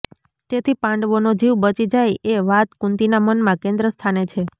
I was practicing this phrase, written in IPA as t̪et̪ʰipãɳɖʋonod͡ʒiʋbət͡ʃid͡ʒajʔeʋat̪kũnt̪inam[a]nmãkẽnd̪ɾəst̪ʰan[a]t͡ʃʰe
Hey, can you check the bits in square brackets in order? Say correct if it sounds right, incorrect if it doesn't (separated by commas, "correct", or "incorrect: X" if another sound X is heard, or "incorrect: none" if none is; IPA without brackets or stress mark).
incorrect: ə, incorrect: e